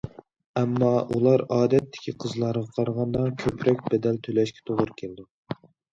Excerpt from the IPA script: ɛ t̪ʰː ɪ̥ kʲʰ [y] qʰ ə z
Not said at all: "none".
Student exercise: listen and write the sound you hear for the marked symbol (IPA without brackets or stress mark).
i